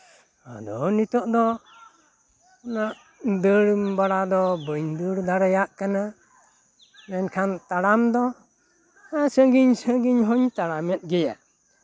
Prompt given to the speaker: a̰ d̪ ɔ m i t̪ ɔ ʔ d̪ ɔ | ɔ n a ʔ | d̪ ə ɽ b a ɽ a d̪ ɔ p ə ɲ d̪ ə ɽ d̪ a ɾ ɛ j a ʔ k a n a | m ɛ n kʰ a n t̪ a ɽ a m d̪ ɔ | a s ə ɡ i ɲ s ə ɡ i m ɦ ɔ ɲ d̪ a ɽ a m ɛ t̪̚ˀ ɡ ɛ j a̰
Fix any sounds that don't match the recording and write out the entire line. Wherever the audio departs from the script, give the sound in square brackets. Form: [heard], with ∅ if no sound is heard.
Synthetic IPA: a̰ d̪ ɔ [n] i t̪ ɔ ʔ d̪ ɔ | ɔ n a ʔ | d̪ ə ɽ b a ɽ a d̪ ɔ [b] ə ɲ d̪ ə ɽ d̪ a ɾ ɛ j a ʔ k a n a | m ɛ n kʰ a n t̪ a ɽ a m d̪ ɔ | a s ə ɡ i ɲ s ə ɡ i [ɲ] ɦ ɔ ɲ [t̪] a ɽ a m ɛ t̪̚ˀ ɡ ɛ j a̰